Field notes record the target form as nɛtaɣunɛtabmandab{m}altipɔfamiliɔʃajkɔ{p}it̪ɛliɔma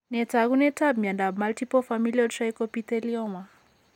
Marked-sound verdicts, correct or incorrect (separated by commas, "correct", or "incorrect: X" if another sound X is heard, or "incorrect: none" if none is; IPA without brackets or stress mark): correct, correct